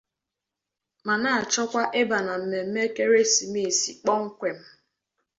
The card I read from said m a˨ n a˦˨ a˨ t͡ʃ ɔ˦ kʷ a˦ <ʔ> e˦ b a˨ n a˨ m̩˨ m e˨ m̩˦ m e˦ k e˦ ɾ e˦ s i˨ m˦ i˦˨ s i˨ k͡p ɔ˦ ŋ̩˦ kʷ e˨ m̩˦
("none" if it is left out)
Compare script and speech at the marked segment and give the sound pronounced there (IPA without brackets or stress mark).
ʔ